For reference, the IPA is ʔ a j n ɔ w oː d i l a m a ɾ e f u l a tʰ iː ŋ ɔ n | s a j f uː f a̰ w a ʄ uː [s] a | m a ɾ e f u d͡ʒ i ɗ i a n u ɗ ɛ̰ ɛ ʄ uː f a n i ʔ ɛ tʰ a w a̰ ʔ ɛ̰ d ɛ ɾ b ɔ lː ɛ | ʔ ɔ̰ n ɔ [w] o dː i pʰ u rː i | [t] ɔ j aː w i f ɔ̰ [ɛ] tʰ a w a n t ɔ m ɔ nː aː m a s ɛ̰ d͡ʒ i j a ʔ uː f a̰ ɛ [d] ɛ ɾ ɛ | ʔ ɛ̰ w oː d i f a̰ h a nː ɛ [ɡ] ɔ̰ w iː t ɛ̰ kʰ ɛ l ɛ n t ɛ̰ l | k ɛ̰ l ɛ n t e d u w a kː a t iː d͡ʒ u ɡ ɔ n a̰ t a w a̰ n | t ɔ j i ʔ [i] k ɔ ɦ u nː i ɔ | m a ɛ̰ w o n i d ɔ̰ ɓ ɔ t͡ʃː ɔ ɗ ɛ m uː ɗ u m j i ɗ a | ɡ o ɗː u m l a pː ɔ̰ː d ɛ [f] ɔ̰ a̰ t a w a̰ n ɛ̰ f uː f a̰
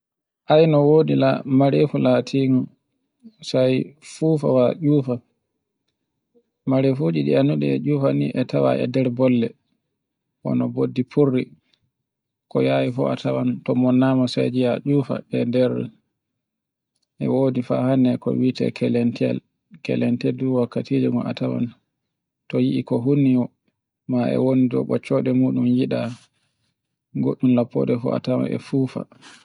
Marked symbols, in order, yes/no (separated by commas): no, no, no, no, yes, no, yes, yes